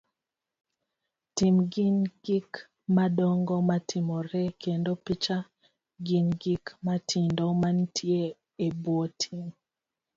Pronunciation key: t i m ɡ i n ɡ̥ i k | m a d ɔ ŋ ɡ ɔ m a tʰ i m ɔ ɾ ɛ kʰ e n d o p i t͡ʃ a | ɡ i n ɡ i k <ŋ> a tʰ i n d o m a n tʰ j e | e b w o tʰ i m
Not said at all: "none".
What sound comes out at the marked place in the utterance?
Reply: m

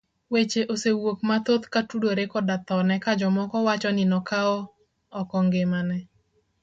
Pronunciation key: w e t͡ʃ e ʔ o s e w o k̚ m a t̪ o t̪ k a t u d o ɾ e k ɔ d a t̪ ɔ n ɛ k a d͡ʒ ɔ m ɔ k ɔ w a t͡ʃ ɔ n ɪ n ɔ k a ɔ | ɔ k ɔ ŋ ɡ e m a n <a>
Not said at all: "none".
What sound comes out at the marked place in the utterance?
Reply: ɛ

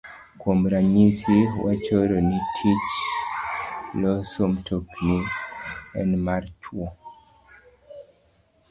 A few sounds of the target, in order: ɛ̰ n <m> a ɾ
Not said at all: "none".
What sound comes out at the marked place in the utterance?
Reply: m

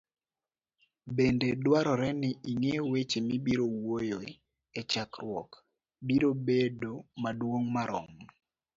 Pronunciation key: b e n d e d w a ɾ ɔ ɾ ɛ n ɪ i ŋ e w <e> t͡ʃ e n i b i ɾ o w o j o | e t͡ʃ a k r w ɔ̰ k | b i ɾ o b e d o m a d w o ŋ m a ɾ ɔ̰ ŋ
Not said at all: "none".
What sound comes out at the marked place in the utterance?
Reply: e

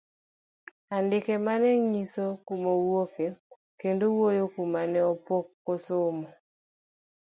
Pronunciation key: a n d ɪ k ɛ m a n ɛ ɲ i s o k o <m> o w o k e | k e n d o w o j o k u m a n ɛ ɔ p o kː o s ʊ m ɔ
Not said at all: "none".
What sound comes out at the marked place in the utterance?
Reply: m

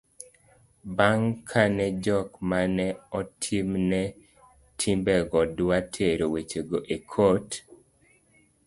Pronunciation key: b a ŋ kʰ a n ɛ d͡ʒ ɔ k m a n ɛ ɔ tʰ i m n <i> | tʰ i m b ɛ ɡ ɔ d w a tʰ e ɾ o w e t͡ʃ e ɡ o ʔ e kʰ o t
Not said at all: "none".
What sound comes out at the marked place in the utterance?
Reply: ɛ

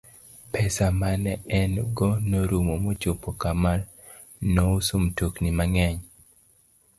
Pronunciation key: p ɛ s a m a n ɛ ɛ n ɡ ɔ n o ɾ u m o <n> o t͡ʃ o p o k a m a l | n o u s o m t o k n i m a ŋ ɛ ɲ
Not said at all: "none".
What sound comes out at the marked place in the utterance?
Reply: m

